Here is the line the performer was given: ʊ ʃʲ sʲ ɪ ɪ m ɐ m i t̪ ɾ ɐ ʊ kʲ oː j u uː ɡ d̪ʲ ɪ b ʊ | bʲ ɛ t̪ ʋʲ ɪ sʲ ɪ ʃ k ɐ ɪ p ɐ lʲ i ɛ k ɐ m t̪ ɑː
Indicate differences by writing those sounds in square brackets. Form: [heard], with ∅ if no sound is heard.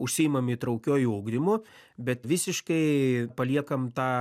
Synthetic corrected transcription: ʊ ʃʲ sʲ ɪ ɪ m ɐ m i t̪ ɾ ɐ ʊ kʲ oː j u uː ɡ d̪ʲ ɪ [m] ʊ | bʲ ɛ t̪ ʋʲ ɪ sʲ ɪ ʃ k ɐ ɪ p ɐ lʲ i ɛ k ɐ m t̪ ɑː